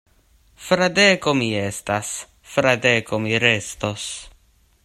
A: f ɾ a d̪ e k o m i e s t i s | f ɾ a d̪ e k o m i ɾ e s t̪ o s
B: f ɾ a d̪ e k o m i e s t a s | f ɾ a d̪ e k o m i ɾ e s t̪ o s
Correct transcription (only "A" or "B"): B